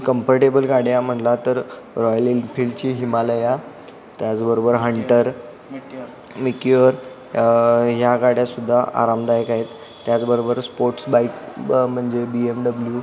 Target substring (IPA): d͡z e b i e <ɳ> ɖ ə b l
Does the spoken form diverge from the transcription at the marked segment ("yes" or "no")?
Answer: yes